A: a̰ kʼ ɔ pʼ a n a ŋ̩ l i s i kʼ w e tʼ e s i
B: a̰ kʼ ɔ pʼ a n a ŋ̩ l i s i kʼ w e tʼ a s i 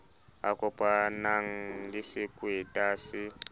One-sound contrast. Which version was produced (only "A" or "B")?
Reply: B